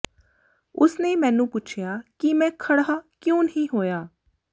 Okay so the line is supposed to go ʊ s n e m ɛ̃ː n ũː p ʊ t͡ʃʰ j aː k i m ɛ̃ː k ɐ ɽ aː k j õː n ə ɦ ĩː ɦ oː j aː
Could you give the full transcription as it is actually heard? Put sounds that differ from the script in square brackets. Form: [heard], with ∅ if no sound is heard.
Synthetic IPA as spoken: ʊ s n e m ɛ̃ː n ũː p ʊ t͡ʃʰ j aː k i m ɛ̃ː [kʰ] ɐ ɽ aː k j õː n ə ɦ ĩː ɦ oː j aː